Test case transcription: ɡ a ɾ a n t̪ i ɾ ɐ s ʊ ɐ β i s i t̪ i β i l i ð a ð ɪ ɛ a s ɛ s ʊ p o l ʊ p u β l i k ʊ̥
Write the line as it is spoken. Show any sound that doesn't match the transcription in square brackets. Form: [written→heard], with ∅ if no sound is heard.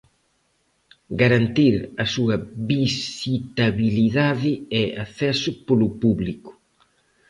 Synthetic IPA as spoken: ɡ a ɾ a n t̪ i ɾ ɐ s [ʊ→u] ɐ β i s i t̪ [i→a] β i l i ð a ð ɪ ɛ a [s→θ] ɛ s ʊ p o l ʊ p u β l i k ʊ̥